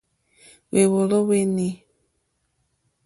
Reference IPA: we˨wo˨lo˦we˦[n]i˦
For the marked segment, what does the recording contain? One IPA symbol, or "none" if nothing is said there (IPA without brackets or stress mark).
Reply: n